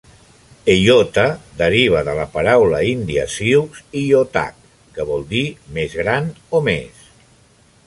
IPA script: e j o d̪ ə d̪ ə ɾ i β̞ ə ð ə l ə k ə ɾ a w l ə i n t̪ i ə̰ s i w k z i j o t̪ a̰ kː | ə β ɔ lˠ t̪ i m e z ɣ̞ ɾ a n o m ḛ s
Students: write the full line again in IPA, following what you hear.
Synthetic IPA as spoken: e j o t̪ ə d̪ ə ɾ i β̞ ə ð ə l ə p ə ɾ a w l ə i n d̪ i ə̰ s i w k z i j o t̪ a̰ kː | ə β ɔ lˠ d̪ i m e z ɣ̞ ɾ a n o m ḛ s